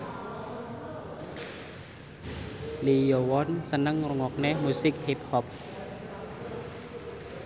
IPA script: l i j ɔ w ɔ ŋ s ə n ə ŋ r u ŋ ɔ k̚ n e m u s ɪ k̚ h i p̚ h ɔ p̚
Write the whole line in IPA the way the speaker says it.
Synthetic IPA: l i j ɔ w ɔ n s ə n ə ŋ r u ŋ ɔ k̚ n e m u s ɪ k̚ h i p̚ h ɔ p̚